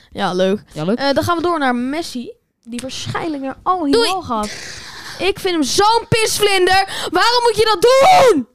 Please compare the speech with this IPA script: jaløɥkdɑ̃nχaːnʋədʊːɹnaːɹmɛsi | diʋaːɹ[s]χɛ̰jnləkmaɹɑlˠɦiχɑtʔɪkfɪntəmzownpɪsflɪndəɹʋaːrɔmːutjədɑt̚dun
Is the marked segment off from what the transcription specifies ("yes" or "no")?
no